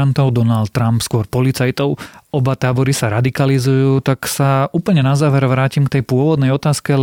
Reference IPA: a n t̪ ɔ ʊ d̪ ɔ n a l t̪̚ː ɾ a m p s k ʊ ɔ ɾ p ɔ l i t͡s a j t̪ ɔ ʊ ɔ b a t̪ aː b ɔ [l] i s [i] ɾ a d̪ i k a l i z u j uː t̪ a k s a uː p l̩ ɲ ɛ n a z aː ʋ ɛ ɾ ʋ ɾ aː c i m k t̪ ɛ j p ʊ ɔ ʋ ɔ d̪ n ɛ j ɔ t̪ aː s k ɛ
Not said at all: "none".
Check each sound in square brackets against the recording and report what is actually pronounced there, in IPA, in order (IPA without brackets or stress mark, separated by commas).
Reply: ɾ, a